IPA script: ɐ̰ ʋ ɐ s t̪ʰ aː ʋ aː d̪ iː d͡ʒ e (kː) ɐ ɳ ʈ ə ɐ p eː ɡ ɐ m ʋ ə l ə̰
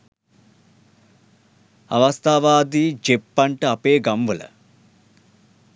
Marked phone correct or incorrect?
incorrect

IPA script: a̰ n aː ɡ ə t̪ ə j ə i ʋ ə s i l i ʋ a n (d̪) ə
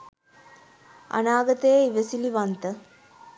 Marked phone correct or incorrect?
incorrect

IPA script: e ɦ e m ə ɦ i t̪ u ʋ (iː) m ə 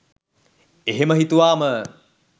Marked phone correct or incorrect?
incorrect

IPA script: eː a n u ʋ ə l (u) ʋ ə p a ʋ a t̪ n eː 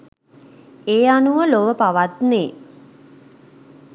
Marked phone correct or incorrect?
incorrect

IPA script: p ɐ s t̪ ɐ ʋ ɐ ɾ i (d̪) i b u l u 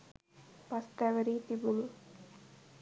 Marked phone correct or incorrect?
incorrect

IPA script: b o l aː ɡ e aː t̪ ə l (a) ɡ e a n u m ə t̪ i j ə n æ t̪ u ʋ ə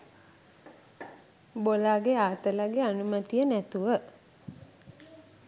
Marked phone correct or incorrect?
correct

